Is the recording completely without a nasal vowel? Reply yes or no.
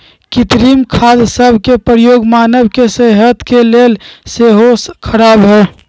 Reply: yes